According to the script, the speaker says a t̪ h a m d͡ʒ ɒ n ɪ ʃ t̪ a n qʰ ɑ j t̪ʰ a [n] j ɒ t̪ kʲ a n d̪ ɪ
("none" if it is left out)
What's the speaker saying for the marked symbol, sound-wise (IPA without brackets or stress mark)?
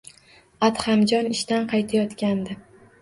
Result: none